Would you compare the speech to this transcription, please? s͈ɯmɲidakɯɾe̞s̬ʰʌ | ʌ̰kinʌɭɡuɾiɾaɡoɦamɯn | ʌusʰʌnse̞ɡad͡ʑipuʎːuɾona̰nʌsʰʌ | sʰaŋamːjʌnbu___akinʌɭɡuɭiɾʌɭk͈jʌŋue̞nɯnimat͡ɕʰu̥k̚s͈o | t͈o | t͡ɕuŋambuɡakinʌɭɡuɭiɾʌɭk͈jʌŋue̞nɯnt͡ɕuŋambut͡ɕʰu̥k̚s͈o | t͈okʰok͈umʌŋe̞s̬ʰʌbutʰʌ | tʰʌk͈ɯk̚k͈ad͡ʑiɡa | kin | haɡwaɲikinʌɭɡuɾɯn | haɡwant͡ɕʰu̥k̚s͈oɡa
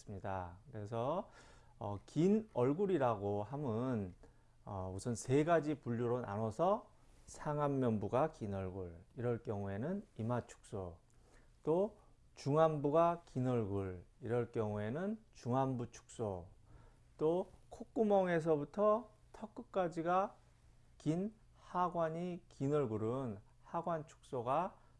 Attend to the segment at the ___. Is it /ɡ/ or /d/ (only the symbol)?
ɡ